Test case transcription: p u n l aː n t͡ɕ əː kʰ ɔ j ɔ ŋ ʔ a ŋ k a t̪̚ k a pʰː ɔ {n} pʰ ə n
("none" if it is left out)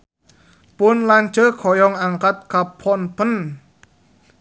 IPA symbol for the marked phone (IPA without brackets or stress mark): n